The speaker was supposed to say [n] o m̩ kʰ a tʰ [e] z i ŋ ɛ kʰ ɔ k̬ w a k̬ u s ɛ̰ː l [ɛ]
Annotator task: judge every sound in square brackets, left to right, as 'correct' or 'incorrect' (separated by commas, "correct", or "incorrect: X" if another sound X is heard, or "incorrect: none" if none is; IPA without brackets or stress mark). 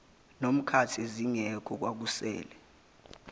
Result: correct, correct, correct